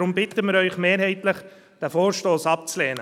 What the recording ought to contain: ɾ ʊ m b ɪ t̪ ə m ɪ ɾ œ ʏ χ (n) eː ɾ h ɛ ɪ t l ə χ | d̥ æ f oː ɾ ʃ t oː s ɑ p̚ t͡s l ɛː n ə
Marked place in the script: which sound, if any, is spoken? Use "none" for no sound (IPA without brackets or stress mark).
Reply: m